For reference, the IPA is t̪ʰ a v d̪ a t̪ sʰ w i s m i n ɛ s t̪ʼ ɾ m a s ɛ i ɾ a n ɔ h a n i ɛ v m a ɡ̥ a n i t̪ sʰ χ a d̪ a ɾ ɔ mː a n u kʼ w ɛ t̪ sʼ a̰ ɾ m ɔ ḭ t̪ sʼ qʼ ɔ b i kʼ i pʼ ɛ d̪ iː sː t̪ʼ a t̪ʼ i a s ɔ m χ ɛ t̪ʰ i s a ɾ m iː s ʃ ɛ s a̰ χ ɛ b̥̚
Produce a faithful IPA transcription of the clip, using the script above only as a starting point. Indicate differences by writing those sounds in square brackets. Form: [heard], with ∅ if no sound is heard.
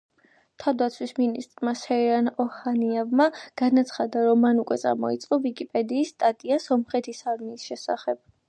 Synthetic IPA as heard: t̪ʰ a v d̪ a t̪ sʰ w i s m i n [i] s t̪ʼ ɾ m a s ɛ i ɾ a n ɔ h a n i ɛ v m a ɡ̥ a n [a] t̪ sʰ χ a d̪ a ɾ ɔ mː a n u kʼ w ɛ t̪ sʼ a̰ ɾ m ɔ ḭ t̪ sʼ qʼ ɔ [v] i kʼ i pʼ ɛ d̪ iː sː t̪ʼ a t̪ʼ i a s ɔ m χ ɛ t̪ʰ i s a ɾ m iː s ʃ ɛ s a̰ χ ɛ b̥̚